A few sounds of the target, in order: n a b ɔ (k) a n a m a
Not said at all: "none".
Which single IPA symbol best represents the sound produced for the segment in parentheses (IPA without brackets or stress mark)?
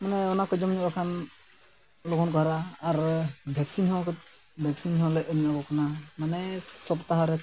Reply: k